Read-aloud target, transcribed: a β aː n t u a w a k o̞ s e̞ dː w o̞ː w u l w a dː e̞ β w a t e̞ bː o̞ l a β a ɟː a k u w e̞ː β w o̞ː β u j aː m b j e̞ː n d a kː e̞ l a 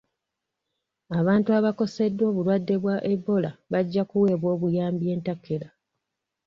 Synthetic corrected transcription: a β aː n t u a β a k o̞ s e̞ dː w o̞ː β u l w a dː e̞ β w a ʔ e̞ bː o̞ l a β a ɟː a k u w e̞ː β w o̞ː β u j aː m b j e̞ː n t a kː e̞ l a